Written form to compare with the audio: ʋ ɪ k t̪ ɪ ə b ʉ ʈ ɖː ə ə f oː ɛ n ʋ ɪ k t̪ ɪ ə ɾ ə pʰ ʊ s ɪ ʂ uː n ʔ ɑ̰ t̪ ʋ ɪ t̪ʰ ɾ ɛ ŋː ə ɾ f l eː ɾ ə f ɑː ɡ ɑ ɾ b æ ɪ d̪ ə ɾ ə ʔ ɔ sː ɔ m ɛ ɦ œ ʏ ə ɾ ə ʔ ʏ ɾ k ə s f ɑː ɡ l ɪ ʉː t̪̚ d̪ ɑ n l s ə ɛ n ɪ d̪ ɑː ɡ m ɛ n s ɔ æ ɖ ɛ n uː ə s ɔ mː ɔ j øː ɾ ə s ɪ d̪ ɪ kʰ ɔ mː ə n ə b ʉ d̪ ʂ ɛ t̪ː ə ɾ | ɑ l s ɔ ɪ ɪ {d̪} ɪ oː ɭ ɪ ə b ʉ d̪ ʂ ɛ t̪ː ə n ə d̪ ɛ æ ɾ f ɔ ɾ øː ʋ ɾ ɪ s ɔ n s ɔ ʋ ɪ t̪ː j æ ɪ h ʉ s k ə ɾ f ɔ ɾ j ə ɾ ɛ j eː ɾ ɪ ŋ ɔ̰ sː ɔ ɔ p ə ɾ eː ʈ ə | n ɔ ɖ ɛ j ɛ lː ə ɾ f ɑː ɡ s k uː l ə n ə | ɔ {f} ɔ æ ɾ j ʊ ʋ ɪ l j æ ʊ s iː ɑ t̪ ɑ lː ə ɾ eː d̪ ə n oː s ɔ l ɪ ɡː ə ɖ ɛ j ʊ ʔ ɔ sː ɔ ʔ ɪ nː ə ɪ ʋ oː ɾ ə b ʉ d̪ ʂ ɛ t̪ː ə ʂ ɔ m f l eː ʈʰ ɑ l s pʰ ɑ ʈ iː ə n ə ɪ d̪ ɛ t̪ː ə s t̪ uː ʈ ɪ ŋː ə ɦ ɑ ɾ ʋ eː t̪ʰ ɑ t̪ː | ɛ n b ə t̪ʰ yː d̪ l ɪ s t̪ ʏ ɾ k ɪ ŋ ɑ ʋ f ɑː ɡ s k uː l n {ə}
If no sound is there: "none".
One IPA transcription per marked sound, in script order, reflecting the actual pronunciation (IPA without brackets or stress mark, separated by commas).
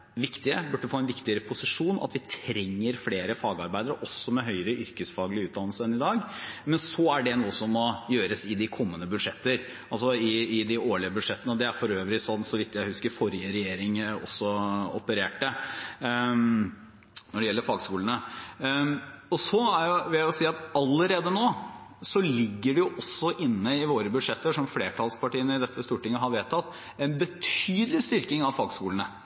d̪, s, ə